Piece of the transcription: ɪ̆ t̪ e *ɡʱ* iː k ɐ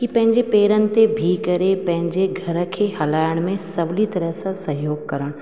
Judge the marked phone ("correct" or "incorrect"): incorrect